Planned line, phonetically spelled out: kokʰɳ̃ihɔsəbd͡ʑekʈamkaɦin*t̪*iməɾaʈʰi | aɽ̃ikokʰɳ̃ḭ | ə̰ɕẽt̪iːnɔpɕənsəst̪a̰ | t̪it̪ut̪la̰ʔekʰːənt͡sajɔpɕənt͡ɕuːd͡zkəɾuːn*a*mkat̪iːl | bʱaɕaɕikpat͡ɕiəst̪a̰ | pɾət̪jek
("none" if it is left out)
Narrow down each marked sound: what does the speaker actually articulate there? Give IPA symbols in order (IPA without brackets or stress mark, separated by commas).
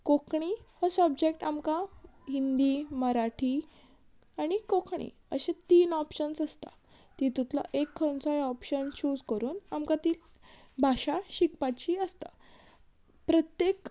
d̪, a